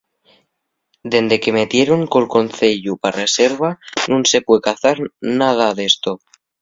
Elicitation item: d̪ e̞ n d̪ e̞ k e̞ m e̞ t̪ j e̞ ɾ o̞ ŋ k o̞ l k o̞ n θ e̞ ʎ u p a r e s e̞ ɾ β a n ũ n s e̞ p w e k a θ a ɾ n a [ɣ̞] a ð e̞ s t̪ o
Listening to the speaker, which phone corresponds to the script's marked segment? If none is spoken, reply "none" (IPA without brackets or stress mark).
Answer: ð̞